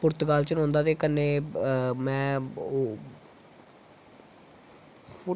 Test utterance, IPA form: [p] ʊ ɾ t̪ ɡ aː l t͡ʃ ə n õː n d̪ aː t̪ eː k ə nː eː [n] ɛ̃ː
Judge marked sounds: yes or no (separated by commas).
yes, no